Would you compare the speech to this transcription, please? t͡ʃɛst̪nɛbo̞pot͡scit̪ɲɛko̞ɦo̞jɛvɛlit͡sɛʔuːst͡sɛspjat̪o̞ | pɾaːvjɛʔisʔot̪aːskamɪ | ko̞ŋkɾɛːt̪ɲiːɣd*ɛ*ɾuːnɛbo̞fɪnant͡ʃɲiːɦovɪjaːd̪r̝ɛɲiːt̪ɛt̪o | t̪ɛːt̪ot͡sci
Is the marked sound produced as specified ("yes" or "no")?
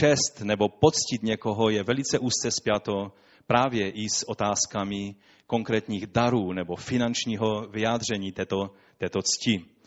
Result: no